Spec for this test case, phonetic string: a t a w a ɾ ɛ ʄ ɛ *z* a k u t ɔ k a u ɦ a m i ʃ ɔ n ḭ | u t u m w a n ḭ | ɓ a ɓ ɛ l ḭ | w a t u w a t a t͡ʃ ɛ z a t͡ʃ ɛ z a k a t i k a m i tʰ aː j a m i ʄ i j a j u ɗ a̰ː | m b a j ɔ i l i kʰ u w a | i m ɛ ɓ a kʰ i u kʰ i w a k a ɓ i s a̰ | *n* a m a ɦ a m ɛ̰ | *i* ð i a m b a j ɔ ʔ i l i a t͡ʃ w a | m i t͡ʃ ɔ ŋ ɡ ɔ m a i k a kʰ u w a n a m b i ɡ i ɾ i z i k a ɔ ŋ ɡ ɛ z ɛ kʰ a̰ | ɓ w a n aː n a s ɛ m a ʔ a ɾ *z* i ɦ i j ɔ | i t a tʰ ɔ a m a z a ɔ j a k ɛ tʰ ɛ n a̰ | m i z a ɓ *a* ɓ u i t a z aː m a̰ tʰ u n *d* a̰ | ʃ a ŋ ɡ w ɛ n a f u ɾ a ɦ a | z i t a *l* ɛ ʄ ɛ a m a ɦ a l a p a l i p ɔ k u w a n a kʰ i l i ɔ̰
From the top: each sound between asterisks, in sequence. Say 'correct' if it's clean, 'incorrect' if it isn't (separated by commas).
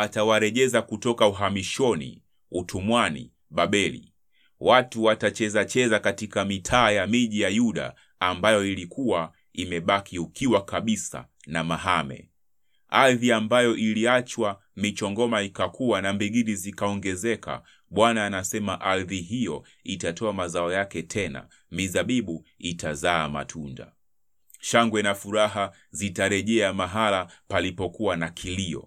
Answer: correct, correct, incorrect, incorrect, incorrect, correct, incorrect